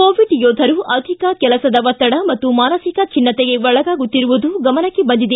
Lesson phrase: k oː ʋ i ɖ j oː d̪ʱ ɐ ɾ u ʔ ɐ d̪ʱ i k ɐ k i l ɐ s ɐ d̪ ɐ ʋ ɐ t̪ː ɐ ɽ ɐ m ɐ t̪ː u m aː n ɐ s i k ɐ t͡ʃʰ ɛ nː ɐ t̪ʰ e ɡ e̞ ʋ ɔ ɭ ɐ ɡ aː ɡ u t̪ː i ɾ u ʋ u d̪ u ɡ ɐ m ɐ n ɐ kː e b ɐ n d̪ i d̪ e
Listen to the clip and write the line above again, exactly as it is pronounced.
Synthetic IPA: k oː ʋ i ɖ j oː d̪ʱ ɐ ɾ u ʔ ɐ d̪ʱ i k ɐ k ɛ l ɐ s ɐ d̪ ɐ ʋ ɐ t̪ː ɐ ɽ ɐ m ɐ t̪ː u m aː n ɐ s i k ɐ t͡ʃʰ i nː ɐ t̪ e ɡ e̞ ʋ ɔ ɭ ɐ ɡ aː ɡ u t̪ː i ɾ u ʋ u d̪ u ɡ ɐ m ɐ n ɐ kː e b ɐ n d̪ i d̪ e